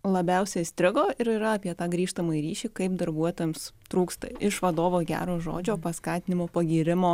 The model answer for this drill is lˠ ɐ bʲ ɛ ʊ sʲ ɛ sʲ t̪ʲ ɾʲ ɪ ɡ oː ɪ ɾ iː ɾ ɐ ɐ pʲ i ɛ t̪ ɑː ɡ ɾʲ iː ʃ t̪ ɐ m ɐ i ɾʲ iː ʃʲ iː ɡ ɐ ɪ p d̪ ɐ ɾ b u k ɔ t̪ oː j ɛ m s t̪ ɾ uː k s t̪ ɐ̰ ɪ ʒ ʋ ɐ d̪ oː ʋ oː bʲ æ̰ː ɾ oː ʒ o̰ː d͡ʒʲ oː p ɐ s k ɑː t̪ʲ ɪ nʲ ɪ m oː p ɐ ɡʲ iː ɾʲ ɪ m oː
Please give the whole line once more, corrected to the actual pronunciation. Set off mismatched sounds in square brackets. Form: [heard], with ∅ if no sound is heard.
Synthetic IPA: lˠ ɐ bʲ ɛ ʊ sʲ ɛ sʲ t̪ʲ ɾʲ ɪ ɡ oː ɪ ɾ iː ɾ ɐ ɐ pʲ i ɛ t̪ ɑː ɡ ɾʲ iː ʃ t̪ ɐ m ɐ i ɾʲ iː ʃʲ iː [k] ɐ ɪ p d̪ ɐ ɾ b u [∅] ɔ t̪ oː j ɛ m s t̪ ɾ uː k s t̪ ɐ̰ ɪ [ʃ] ʋ ɐ d̪ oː ʋ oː [ɡʲ] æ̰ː ɾ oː ʒ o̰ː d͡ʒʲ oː p ɐ s k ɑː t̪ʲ ɪ nʲ ɪ m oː p ɐ ɡʲ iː ɾʲ ɪ m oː